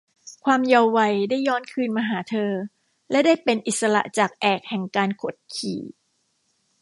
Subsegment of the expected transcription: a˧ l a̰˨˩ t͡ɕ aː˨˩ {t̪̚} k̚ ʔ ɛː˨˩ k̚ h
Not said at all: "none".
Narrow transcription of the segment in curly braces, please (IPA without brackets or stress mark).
none